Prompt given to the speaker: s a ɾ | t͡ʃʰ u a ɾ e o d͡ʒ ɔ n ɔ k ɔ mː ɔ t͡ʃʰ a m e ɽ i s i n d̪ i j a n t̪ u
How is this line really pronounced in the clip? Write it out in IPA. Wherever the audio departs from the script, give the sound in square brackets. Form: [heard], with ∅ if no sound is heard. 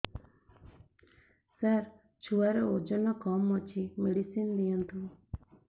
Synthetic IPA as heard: s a ɾ | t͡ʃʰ u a ɾ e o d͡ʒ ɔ n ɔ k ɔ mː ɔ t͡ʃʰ [i] m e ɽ i s i n d̪ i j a n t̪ u